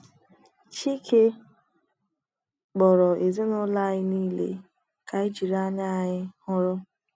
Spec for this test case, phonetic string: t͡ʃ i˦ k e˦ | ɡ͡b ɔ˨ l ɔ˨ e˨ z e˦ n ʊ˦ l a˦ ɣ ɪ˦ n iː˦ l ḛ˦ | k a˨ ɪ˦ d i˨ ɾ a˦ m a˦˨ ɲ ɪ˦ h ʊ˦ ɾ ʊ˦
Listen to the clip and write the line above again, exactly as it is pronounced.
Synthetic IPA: t͡ʃ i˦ k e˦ | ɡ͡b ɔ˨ ɾ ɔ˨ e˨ z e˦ n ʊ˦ l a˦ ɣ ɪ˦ n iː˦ l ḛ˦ | k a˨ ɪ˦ d͡ʒ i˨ ɾ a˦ ɲ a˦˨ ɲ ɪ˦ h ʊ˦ ɾ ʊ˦